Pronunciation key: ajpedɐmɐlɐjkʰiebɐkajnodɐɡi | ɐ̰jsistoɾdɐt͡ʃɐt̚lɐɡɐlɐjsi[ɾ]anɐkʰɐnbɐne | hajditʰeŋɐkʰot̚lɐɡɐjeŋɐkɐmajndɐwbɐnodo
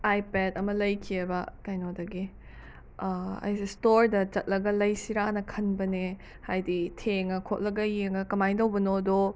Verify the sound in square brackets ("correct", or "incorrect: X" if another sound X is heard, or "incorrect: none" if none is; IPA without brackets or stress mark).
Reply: correct